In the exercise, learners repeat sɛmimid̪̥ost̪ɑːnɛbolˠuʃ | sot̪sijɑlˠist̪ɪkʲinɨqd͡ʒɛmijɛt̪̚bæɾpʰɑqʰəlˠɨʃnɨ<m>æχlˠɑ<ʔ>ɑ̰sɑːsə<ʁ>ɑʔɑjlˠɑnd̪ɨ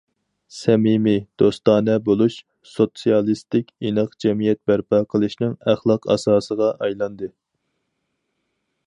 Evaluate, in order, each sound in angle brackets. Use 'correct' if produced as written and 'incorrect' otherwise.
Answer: incorrect, incorrect, correct

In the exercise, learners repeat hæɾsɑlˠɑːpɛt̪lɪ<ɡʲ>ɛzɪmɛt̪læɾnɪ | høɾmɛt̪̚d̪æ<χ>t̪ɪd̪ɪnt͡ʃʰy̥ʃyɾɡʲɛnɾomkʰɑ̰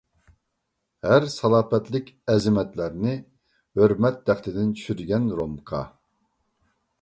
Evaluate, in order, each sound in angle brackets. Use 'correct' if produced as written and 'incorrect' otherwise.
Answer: incorrect, correct

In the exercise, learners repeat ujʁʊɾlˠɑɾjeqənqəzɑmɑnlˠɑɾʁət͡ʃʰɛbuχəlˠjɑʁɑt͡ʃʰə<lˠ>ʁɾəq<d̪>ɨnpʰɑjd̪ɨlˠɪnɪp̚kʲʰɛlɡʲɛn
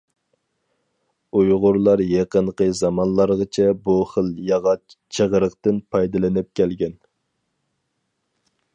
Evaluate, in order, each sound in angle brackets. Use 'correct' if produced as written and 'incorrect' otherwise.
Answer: incorrect, incorrect

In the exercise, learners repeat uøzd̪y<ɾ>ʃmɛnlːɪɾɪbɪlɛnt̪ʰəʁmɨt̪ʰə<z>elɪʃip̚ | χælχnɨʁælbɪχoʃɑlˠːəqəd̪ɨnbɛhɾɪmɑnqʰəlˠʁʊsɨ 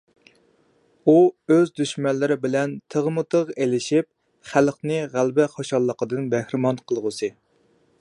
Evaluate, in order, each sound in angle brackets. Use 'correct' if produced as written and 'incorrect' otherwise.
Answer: incorrect, incorrect

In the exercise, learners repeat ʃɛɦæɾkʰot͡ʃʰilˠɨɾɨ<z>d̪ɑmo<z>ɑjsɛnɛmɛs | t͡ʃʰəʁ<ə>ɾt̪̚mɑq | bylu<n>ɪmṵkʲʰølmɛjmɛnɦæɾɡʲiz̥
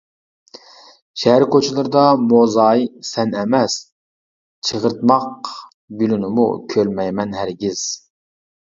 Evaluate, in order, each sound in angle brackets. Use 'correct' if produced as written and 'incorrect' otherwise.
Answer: incorrect, correct, correct, correct

